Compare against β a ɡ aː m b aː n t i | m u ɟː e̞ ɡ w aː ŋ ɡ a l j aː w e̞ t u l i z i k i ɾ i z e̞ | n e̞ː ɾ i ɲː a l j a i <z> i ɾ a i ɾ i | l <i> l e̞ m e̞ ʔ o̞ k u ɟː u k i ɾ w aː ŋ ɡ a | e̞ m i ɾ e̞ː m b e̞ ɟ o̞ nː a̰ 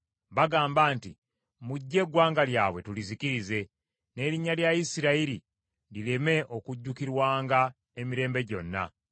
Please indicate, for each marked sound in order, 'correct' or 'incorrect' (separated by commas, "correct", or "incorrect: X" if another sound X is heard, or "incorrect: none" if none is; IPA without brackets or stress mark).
incorrect: s, correct